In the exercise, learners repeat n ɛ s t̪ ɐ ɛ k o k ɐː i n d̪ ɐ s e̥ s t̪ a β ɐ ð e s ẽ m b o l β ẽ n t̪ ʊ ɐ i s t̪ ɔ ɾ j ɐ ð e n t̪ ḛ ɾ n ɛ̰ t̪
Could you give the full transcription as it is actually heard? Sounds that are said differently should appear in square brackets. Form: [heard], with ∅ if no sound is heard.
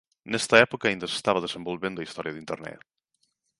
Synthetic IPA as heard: n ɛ s t̪ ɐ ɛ [p] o k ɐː i n d̪ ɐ s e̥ s t̪ a β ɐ ð e s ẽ m b o l β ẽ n [d̪] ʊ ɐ i s t̪ ɔ ɾ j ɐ ð [i] n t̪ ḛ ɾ n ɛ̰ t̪